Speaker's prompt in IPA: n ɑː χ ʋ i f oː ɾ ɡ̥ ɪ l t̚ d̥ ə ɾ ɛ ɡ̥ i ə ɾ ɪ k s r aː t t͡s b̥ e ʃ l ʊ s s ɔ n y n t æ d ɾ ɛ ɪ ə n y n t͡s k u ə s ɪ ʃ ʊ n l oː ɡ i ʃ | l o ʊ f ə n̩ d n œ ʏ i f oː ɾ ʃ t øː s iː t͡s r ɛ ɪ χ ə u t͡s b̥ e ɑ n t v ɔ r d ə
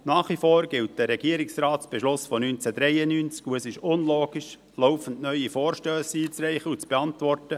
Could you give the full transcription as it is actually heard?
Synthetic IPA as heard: n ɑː χ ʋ i f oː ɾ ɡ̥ ɪ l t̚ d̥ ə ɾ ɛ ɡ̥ i ə ɾ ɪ k s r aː t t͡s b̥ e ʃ l ʊ s f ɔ n y n t͡s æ d ɾ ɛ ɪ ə n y n t͡s k u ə s ɪ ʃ ʊ n l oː ɡ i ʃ | l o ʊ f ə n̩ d n œ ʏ i f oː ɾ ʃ t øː s iː t͡s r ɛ ɪ χ ə u t͡s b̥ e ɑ n t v ɔ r t ə